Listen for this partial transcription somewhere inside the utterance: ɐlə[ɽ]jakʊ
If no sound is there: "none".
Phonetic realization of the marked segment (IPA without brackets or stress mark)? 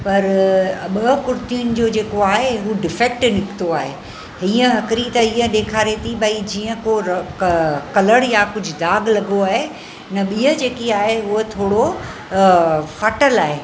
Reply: ɽ